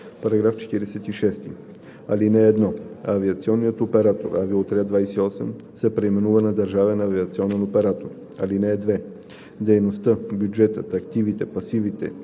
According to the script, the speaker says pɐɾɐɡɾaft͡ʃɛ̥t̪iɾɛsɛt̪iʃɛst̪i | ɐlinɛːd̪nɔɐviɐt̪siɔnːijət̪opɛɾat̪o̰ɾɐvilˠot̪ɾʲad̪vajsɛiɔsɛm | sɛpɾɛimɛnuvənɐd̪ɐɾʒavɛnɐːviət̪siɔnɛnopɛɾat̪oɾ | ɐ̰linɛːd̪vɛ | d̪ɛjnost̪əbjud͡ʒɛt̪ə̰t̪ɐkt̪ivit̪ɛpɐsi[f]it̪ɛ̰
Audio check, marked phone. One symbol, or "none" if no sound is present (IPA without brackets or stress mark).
v